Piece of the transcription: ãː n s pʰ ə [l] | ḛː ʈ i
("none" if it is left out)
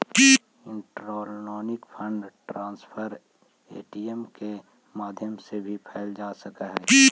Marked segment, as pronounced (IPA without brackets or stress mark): ɾ